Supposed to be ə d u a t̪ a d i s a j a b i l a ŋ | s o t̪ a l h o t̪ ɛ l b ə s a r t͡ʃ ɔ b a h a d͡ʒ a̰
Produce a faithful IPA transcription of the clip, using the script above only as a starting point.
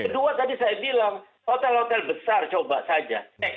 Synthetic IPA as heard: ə d u a t̪ a d i s a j a b i l a ŋ | h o t̪ ɛ l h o t̪ ɛ l b ə s a r t͡ʃ o b a s a d͡ʒ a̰